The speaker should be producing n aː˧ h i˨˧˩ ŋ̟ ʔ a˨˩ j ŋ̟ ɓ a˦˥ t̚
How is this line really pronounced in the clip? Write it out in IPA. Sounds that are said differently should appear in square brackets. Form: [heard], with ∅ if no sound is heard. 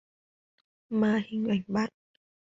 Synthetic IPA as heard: [m] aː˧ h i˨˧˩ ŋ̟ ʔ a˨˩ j ŋ̟ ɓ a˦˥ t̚